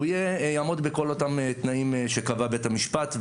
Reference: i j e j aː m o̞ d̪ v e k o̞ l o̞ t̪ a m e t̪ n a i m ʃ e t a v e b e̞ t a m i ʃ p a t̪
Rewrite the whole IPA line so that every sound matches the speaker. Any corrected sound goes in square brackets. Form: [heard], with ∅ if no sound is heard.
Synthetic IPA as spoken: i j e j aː m o̞ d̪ [b] e k o̞ l o̞ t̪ a m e t̪ n a i m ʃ e [k] a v [a] b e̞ t a m i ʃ p a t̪